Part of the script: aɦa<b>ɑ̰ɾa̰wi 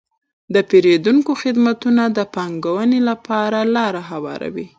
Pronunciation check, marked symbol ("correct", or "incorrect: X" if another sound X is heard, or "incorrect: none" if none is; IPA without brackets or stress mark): incorrect: w